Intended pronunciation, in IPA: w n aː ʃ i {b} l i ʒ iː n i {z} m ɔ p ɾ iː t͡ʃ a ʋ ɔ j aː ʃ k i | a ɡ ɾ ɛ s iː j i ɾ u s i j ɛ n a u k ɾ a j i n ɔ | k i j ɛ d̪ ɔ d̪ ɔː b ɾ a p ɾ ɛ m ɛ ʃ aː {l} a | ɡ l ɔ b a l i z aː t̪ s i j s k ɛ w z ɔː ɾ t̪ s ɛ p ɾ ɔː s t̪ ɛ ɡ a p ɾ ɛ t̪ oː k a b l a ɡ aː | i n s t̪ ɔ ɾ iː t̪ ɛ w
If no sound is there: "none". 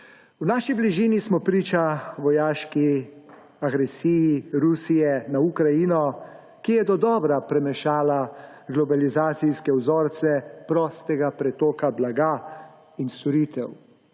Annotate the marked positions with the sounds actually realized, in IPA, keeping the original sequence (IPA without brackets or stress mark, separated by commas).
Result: b, s, l